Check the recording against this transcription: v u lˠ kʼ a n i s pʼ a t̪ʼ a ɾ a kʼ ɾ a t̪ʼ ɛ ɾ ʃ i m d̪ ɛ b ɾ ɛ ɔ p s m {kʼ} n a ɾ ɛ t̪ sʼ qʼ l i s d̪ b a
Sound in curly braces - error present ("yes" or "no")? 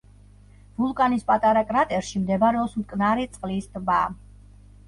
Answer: no